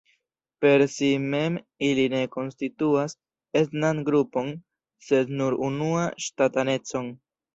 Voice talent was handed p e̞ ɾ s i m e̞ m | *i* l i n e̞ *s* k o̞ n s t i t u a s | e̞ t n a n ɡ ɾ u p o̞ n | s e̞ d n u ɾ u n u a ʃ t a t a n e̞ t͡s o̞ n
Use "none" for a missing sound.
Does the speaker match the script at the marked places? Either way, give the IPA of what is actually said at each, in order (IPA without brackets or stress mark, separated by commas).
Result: i, none